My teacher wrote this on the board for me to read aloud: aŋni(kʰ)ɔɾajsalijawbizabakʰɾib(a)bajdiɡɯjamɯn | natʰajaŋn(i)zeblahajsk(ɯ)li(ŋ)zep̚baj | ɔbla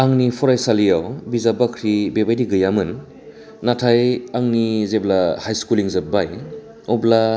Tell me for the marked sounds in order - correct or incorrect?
incorrect, incorrect, correct, incorrect, correct

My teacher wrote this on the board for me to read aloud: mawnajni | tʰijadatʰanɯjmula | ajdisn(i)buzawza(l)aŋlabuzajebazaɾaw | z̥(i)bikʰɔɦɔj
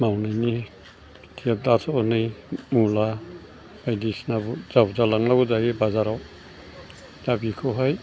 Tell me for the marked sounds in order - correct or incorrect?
incorrect, correct, incorrect

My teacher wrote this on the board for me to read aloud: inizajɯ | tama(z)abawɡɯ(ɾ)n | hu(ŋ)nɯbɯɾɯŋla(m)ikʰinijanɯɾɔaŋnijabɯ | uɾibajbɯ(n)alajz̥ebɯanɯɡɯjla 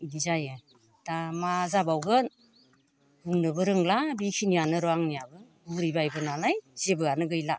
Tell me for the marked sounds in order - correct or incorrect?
correct, incorrect, correct, incorrect, correct

